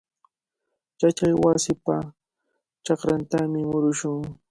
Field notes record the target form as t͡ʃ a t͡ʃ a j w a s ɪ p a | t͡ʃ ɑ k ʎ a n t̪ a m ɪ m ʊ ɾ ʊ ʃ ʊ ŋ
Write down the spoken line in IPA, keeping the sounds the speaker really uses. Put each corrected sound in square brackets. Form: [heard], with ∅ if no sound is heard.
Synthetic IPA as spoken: t͡ʃ a t͡ʃ a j w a s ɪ p a | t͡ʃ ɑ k [ɾ] a n t̪ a m ɪ m ʊ ɾ ʊ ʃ ʊ ŋ